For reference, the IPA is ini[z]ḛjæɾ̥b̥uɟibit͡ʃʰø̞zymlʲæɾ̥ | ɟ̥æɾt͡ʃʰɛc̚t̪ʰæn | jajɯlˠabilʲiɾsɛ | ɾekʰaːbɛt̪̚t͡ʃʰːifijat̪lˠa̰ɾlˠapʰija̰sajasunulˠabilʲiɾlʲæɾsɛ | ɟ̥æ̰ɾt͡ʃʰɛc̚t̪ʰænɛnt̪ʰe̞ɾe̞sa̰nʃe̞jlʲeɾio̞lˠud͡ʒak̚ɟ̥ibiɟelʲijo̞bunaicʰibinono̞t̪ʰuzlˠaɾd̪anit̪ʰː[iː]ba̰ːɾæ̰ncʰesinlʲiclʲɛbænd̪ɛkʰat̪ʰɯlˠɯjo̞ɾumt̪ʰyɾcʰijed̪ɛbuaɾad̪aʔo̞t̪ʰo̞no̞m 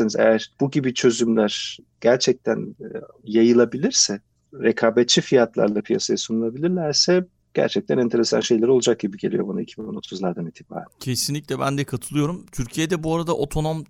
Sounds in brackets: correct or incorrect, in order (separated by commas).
correct, incorrect